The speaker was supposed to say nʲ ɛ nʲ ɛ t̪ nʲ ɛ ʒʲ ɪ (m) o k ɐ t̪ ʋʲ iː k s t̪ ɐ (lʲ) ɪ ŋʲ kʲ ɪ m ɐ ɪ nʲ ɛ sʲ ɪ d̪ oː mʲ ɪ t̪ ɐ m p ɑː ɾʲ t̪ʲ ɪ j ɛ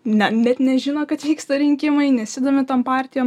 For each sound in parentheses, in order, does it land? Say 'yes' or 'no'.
no, no

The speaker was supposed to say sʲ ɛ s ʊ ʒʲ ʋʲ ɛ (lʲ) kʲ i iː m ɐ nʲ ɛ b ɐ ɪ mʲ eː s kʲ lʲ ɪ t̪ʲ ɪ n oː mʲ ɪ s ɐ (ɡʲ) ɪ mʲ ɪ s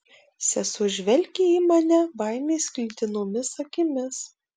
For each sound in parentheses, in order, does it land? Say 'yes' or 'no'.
yes, no

